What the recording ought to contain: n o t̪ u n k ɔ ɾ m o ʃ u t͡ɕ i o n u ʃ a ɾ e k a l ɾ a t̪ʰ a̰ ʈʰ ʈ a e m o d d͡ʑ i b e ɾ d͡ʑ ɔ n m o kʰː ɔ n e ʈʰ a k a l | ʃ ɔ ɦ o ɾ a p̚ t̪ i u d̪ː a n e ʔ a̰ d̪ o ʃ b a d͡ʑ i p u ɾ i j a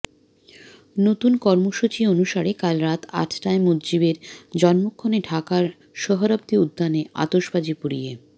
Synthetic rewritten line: n o t̪ u n k ɔ ɾ m o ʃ u t͡ɕ i o n u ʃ a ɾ e k a l ɾ a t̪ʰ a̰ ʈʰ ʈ a e m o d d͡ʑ i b e ɾ d͡ʑ ɔ n m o kʰː o n e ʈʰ a k a ɾ | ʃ ɔ ɦ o ɾ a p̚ t̪ i u d̪ː a n e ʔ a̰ t̪ o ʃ b a d͡ʑ i p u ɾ i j e

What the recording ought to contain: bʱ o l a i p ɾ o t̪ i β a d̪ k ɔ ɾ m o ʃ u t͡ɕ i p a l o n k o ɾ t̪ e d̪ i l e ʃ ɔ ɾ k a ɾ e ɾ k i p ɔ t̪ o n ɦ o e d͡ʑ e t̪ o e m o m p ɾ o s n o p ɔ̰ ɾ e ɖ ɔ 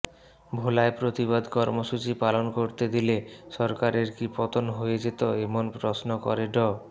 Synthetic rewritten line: bʱ o l a e p ɾ o t̪ i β a d̪ k ɔ ɾ m o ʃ u t͡ɕ i p a l o n k o ɾ t̪ e d̪ i l e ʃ ɔ ɾ k a ɾ e ɾ k i p ɔ t̪ o n ɦ o e d͡ʑ e t̪ o e m o n p ɾ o s n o k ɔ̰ ɾ e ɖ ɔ

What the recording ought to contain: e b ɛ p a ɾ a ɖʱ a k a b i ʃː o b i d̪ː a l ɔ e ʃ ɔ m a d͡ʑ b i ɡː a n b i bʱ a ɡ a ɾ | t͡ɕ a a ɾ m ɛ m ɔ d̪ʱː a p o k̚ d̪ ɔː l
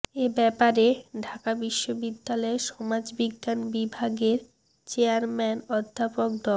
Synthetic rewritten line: e b ɛ p a ɾ e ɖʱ a k a b i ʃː o b i d̪ː a l ɔ e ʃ ɔ m a d͡ʑ b i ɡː a n b i bʱ a ɡ e ɾ | t͡ɕ e a ɾ m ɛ n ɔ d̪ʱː a p o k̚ d̪ ɔ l

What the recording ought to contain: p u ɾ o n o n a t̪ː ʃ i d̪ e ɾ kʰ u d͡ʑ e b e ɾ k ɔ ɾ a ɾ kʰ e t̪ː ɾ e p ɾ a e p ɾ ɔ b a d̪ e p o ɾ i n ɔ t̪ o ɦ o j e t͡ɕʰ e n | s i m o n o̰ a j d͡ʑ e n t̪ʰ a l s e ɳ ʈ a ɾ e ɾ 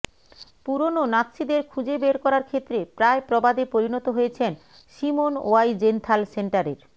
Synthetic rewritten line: p u ɾ o n o n a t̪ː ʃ i d̪ e ɾ kʰ u d͡ʑ e b e ɾ k ɔ ɾ a ɾ kʰ e t̪ː ɾ e p ɾ a e p ɾ ɔ b a d̪ e p o ɾ i n ɔ t̪ o ɦ o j e t͡ɕʰ e n | ʃ i m o n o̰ a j d͡ʑ e n t̪ʰ a l s e ɳ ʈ a ɾ e ɾ

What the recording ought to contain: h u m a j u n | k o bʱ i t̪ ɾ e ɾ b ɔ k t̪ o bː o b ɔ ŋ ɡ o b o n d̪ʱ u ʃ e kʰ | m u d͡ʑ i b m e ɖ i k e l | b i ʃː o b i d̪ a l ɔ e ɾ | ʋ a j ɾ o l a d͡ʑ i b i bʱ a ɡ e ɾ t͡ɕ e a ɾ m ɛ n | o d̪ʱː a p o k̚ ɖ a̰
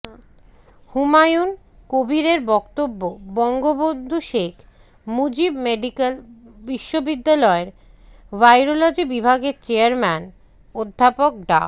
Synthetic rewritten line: h u m a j u n | k o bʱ i ɾ e ɾ b ɔ k t̪ o bː o b ɔ ŋ ɡ o b o n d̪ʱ u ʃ e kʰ | m u d͡ʑ i b m e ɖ i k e l | b i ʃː o b i d̪ː a l ɔ e ɾ | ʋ a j ɾ o l a d͡ʑ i b i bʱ a ɡ e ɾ t͡ɕ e a ɾ m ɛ n | o d̪ʱː a p o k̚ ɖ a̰

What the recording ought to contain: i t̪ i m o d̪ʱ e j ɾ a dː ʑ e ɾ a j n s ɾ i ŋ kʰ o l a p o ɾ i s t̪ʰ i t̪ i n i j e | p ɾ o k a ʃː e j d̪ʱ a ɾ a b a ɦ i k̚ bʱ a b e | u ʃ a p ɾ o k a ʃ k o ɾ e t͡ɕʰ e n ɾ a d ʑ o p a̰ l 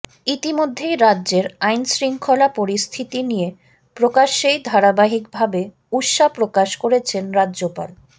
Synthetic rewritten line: i t̪ i m o d̪ʱː e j ɾ a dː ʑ e ɾ a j n s ɾ i ŋ kʰ o l a p o ɾ i s t̪ʰ i t̪ i n i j e | p ɾ o k a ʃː e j d̪ʱ a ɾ a b a ɦ i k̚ bʱ a b e | u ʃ a p ɾ o k a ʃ k o ɾ e t͡ɕʰ e n ɾ a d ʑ o p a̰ l

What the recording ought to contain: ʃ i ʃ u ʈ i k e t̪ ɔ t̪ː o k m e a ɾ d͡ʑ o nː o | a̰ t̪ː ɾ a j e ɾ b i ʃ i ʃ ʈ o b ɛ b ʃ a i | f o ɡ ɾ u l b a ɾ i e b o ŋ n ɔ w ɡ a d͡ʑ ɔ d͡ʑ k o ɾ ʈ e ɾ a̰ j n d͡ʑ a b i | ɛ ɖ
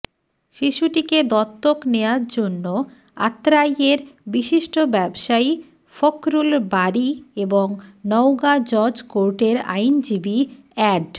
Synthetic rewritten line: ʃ i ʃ u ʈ i k e d̪ ɔ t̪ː o k n e a ɾ d͡ʑ o nː o | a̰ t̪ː ɾ a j e ɾ b i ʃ i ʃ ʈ o b ɛ b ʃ a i | f o k ɾ u l b a ɾ i e b o ŋ n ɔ w ɡ a d͡ʑ ɔ d͡ʑ k o ɾ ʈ e ɾ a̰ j n d͡ʑ i b i | ɛ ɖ

